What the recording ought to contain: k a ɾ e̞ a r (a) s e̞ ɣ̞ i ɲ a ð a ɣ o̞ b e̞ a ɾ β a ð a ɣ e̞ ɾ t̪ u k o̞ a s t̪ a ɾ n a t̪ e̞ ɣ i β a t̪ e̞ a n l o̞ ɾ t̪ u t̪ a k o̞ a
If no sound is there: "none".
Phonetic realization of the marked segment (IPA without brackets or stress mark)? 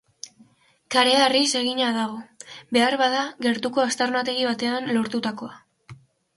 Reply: i